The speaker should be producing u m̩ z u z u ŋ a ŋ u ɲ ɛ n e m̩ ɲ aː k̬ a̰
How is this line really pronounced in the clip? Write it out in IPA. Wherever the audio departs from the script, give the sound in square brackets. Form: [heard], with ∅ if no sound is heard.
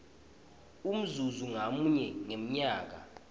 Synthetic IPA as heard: u m̩ z u z u ŋ a [m] u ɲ ɛ [ŋ] e m̩ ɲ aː k̬ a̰